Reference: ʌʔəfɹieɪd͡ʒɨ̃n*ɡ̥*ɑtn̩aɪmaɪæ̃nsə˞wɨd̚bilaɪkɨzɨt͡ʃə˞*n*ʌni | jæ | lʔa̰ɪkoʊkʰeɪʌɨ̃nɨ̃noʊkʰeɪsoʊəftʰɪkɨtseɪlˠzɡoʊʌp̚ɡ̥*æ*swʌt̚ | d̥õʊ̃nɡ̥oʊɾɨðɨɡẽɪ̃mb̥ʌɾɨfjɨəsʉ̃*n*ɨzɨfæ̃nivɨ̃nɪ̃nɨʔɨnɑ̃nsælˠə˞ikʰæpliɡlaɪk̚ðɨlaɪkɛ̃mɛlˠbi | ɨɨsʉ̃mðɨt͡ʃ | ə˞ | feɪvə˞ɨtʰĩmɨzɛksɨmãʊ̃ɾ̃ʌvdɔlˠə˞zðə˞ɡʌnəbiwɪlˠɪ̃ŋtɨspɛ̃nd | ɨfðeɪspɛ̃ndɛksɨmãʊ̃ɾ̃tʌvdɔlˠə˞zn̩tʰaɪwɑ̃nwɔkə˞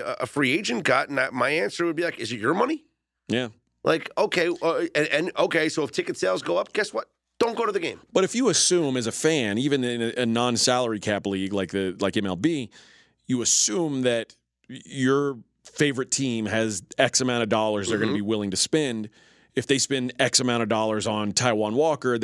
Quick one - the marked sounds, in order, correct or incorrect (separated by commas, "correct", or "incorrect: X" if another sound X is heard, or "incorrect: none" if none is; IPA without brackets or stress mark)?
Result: correct, incorrect: m, incorrect: ɛ, incorrect: m